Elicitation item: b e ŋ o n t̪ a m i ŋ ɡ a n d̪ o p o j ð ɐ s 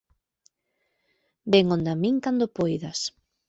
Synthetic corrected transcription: b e ŋ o n d̪ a m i ŋ k a n d̪ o p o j ð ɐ s